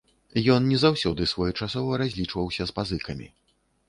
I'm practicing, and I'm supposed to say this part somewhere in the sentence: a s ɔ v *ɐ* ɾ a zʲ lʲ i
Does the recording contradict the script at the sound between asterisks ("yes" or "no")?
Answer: no